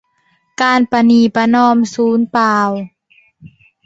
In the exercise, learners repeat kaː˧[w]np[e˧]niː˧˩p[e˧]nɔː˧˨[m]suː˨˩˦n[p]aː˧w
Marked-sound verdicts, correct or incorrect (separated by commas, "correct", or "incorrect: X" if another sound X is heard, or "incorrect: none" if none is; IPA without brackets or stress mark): incorrect: none, incorrect: a˧, incorrect: a˧, correct, correct